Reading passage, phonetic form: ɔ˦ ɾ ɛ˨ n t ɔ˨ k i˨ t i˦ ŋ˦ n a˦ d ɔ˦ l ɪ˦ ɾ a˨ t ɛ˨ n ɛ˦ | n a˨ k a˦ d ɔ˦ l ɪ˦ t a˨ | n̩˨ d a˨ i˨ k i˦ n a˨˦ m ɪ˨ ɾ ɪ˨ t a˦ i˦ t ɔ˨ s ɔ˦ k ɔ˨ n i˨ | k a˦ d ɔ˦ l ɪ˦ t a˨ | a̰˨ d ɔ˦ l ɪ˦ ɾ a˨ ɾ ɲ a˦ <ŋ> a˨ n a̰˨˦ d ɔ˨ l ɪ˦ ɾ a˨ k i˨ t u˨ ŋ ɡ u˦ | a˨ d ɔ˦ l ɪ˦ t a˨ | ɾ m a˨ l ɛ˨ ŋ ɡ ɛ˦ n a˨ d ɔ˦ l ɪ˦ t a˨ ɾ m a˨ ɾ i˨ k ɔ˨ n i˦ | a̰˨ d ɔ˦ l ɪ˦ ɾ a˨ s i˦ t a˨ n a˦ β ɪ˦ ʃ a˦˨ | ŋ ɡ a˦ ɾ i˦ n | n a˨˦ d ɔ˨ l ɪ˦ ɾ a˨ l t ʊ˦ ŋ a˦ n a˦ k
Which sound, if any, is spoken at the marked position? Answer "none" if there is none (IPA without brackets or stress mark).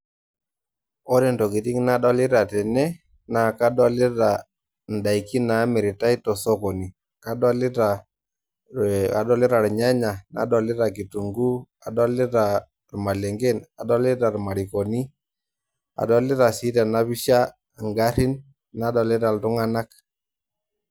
ɲ